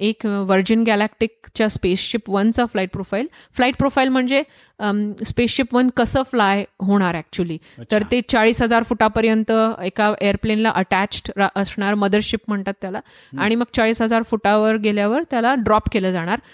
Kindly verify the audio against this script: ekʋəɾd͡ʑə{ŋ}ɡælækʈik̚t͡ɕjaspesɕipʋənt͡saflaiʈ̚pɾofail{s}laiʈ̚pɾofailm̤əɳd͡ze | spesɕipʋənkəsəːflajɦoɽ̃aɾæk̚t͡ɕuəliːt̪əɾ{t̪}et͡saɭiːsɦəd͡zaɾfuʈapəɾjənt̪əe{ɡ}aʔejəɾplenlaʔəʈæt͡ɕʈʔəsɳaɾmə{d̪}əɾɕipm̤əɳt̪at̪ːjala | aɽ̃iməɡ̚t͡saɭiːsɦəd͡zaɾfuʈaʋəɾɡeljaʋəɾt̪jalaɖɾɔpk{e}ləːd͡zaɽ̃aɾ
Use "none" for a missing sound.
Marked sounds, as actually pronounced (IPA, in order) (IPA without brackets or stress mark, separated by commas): n, f, t̪, k, d̪, e